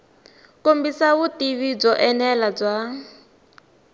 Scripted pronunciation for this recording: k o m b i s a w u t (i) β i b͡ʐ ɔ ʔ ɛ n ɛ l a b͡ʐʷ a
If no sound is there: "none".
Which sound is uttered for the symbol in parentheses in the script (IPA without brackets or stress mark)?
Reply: i